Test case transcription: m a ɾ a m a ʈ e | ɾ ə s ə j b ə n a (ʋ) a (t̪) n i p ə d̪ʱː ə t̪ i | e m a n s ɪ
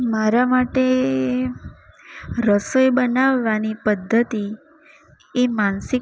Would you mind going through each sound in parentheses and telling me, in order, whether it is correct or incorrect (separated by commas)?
incorrect, incorrect